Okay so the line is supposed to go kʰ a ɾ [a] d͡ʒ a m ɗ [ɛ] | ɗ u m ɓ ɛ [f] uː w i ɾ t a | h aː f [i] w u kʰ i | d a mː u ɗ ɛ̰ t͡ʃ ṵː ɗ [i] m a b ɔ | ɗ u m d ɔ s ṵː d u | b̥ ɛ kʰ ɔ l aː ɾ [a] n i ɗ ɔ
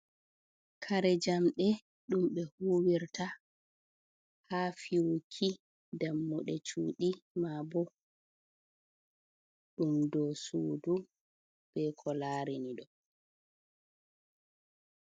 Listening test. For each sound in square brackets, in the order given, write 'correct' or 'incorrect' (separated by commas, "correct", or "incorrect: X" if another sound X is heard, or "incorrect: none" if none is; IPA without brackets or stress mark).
incorrect: ɛ, correct, incorrect: h, correct, correct, incorrect: i